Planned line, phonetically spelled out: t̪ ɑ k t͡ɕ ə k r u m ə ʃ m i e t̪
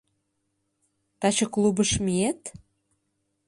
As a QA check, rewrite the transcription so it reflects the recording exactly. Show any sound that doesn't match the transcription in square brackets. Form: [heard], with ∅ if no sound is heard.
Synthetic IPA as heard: t̪ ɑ [∅] t͡ɕ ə k [l] u [b] ə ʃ m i e t̪